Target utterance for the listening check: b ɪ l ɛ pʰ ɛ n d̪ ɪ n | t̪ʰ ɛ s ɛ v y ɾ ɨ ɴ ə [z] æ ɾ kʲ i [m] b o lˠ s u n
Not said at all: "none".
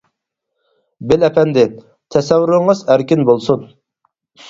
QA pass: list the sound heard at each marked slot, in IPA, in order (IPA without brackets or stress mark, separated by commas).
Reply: z, n